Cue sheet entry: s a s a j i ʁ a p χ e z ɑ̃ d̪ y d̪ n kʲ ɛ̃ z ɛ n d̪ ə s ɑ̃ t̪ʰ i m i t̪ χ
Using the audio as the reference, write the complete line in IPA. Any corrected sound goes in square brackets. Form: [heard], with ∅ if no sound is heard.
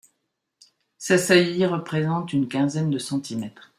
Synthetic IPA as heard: s a s a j i ʁ [ə] p χ e z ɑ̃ [t̪] y [∅] n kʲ ɛ̃ z ɛ n d̪ ə s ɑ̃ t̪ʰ i m [ɛ] t̪ χ